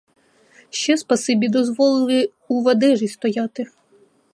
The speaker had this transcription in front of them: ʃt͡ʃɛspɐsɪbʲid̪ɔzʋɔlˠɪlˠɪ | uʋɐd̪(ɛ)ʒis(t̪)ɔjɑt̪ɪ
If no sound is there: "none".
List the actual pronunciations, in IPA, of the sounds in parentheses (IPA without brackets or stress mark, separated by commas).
ɛ, t̪